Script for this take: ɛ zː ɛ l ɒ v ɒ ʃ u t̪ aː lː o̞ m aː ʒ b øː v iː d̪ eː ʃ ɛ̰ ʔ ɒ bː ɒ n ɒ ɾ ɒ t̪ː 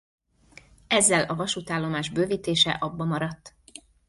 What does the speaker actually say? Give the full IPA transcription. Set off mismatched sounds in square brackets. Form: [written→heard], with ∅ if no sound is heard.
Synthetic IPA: ɛ zː ɛ l ɒ v ɒ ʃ u t̪ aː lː o̞ m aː ʒ b øː v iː [d̪→t̪] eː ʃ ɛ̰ ʔ ɒ bː ɒ [n→m] ɒ ɾ ɒ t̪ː